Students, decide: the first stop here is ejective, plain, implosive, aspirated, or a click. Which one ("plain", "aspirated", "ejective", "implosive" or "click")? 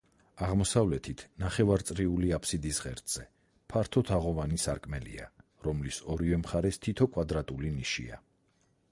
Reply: aspirated